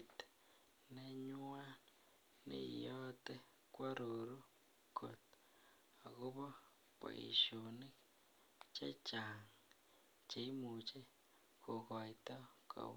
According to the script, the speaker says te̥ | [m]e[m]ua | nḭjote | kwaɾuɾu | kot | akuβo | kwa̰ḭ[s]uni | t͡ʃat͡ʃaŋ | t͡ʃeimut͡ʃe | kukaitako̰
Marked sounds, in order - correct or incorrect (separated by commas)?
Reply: incorrect, incorrect, incorrect